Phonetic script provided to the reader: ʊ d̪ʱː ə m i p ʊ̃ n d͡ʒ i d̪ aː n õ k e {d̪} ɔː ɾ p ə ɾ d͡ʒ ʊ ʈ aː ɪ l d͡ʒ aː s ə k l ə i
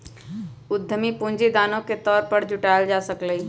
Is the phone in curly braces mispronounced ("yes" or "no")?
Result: yes